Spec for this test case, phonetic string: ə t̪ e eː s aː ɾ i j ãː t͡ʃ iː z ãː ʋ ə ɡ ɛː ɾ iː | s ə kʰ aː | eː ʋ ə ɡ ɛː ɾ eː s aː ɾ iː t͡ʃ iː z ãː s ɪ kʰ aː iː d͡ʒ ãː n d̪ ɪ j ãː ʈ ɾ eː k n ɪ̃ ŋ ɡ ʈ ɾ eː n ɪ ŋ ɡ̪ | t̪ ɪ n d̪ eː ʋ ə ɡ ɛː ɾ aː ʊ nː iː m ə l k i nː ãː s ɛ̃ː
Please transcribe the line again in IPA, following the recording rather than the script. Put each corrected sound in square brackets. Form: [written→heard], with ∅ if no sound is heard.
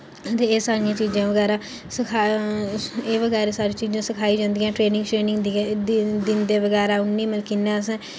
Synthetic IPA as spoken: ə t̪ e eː s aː ɾ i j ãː t͡ʃ iː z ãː ʋ ə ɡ ɛː ɾ [iː→aː] | s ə kʰ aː | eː ʋ ə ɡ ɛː ɾ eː s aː ɾ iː t͡ʃ iː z ãː s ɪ kʰ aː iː d͡ʒ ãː n d̪ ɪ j ãː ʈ ɾ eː [k→∅] n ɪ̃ ŋ ɡ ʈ ɾ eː n ɪ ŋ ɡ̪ | [t̪→d̪] ɪ n d̪ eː ʋ ə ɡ ɛː ɾ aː ʊ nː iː m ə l k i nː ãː s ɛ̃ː